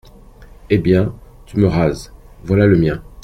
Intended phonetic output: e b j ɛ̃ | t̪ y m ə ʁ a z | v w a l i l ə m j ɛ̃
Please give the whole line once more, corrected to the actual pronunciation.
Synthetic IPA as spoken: e b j ɛ̃ | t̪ y m ə ʁ a z | v w a l a l ə m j ɛ̃